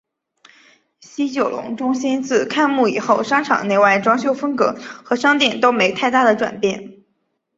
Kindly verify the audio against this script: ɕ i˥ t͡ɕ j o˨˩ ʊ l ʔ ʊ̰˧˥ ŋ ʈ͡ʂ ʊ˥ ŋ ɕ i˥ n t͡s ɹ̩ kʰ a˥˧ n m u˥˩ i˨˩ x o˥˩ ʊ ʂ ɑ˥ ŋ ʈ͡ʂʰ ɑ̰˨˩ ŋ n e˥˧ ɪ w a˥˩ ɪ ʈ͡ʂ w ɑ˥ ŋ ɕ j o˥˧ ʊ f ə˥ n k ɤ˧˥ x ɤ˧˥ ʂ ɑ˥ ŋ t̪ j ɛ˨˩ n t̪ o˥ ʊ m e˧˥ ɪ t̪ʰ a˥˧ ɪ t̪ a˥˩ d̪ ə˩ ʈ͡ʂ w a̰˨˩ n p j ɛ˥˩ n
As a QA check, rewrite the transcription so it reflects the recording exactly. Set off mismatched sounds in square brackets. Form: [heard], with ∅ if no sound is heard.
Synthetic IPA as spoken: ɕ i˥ t͡ɕ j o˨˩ ʊ l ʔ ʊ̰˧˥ ŋ ʈ͡ʂ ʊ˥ ŋ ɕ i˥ n t͡s ɹ̩ kʰ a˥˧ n m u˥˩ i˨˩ x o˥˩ ʊ ʂ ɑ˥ ŋ ʈ͡ʂʰ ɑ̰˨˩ ŋ n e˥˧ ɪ w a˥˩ ɪ ʈ͡ʂ w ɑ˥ ŋ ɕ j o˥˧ ʊ f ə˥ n k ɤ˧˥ x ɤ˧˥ ʂ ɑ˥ ŋ t̪ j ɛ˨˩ n t̪ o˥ ʊ m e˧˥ ɪ t̪ʰ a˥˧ ɪ t̪ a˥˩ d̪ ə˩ ʈ͡ʂ w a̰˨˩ n p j ɛ˥˩ n